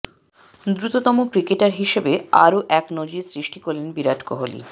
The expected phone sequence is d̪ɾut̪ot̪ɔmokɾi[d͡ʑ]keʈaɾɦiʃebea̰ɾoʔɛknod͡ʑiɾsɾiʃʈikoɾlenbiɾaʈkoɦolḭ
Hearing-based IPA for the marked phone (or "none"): none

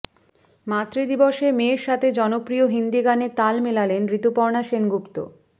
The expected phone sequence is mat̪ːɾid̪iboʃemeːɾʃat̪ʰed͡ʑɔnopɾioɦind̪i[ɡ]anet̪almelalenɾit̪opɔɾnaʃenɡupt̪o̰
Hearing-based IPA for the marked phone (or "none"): ɡ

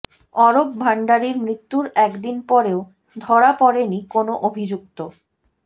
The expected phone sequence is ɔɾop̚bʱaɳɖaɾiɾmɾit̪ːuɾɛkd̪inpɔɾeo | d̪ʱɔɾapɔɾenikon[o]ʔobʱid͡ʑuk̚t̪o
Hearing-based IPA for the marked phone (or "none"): o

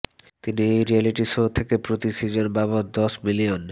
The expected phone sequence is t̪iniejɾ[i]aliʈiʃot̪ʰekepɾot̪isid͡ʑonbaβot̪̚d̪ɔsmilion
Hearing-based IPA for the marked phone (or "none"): i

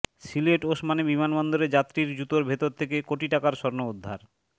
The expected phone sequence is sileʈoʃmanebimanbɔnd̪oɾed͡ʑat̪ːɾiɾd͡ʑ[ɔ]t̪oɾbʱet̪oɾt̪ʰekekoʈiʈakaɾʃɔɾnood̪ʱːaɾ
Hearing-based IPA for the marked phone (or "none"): u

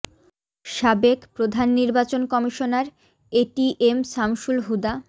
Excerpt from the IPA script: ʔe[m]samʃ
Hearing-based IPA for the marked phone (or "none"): m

